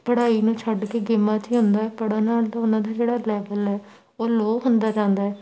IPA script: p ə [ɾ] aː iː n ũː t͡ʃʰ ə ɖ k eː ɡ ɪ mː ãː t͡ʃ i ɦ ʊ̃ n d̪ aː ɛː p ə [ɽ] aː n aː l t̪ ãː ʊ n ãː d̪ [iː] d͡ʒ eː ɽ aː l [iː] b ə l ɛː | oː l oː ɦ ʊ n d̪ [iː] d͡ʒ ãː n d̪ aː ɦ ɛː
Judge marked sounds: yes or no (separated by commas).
no, yes, no, no, no